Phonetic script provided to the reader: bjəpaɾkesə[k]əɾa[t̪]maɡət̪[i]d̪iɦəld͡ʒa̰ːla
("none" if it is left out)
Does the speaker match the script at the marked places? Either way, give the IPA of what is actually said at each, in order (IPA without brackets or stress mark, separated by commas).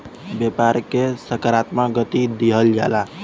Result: k, t̪, i